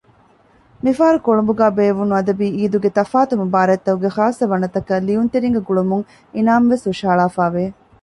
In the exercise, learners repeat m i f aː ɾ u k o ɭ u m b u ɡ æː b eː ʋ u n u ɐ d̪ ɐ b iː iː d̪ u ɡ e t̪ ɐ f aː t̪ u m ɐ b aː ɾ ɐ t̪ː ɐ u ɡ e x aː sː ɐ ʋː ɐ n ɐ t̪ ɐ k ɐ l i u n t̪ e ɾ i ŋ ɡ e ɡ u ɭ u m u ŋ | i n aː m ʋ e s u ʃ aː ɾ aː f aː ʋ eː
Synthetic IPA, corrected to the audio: m i f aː ɾ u k o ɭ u m b u ɡ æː b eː ʋ u n u ɐ d̪ ɐ b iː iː d̪ u ɡ e t̪ ɐ f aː t̪ u m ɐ b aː ɾ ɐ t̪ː ɐ u ɡ e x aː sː ɐ ʋ ɐ n ɐ t̪ ɐ k ɐ l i u n t̪ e ɾ i ŋ ɡ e ɡ u ɭ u m u ŋ | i n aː m ʋ e s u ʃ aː ɭ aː f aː ʋ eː